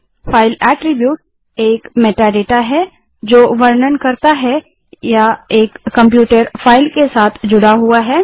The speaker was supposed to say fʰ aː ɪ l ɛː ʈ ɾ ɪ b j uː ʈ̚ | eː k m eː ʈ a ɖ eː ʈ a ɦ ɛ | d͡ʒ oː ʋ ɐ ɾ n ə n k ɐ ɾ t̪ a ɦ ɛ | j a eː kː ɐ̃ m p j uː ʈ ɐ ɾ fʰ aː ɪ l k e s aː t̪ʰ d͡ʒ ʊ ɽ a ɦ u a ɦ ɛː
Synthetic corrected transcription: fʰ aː ɪ l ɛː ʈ ɾ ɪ b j uː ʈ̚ | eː k m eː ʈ a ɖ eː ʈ a ɦ ɛ | d͡ʒ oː ʋ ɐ ɾ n ə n k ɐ ɾ t̪ a ɦ ɛ | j a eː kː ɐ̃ m p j uː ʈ ə ɾ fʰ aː ɪ l k e s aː t̪ʰ d͡ʒ ʊ ɽ a ɦ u a ɦ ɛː

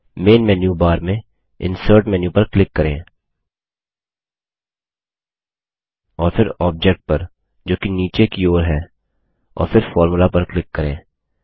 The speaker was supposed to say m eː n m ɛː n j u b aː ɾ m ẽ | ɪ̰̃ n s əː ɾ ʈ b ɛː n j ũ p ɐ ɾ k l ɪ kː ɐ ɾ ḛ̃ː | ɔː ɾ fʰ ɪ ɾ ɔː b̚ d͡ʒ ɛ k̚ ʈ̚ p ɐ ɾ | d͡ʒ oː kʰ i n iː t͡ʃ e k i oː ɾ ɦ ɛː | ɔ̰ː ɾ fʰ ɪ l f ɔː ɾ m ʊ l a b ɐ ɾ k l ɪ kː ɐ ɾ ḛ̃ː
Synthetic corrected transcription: m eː n m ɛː n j u b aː ɾ m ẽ | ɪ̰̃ n s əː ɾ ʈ m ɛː n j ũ p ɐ ɾ k l ɪ kː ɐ ɾ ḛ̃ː | ɔː ɾ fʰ ɪ ɾ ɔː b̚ d͡ʒ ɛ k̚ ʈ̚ p ɐ ɾ | d͡ʒ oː k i n iː t͡ʃ e k i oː ɾ ɦ ɛː | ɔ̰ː ɾ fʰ ɪ ɾ f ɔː ɾ m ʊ l a p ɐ ɾ k l ɪ kː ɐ ɾ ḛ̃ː

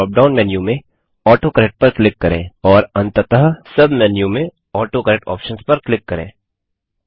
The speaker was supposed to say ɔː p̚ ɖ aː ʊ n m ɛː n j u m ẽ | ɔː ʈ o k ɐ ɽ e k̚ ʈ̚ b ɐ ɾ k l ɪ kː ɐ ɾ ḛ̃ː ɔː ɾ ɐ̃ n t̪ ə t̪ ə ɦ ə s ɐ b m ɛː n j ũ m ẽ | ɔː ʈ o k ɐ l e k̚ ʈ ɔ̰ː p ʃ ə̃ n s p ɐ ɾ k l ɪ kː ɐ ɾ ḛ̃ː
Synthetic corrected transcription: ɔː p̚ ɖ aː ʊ n m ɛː n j u m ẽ | ɔː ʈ o k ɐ ɾ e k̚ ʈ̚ p ɐ ɾ k l ɪ kː ɐ ɾ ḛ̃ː ɔː ɾ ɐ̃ n t̪ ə t̪ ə ɦ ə s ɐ b m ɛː n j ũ m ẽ | ɔː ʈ o k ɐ ɾ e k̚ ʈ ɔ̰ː p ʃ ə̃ n s p ɐ ɾ k l ɪ kː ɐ ɾ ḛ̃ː

